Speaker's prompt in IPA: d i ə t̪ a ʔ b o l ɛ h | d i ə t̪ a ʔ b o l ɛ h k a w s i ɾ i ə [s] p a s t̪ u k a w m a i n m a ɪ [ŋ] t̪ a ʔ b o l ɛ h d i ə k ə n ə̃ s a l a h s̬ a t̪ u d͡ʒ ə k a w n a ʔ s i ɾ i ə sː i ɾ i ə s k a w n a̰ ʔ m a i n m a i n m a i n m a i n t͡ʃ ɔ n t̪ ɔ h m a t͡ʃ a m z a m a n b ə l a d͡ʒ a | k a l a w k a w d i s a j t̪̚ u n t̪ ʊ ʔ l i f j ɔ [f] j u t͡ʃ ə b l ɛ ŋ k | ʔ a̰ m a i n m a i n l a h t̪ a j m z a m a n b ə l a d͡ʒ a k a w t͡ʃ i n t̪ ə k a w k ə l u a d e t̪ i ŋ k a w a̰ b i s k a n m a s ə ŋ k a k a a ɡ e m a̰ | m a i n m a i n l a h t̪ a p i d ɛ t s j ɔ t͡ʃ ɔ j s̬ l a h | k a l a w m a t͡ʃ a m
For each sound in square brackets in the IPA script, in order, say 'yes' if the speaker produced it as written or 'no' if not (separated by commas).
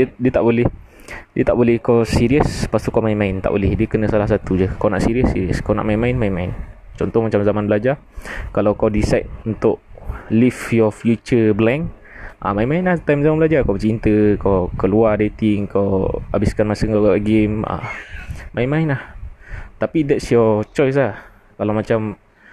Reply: yes, no, yes